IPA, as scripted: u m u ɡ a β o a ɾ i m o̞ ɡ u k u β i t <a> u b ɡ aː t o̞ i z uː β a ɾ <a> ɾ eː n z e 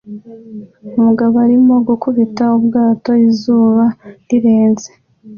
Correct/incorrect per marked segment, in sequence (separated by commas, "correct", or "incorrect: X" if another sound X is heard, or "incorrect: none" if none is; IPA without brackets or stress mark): correct, incorrect: i